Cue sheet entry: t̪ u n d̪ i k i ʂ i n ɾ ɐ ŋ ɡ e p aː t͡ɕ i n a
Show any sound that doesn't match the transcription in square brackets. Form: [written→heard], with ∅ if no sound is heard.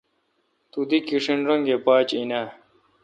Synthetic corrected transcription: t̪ u [n→∅] d̪ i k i ʂ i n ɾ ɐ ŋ ɡ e p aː t͡ɕ i n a